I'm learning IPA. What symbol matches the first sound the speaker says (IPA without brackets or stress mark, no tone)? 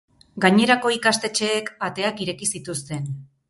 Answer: ɡ